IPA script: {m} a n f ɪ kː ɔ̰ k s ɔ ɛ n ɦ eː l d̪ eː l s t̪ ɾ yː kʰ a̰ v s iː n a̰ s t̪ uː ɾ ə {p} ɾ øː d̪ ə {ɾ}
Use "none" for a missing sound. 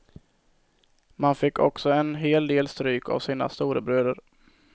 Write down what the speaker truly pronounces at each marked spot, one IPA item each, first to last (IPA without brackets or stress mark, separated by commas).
m, b, ɾ